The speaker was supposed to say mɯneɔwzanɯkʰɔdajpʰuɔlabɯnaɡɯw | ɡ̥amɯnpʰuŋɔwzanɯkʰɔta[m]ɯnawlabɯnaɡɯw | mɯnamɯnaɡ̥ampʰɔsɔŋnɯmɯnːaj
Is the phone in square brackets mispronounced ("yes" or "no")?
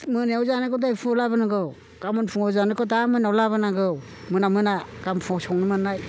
no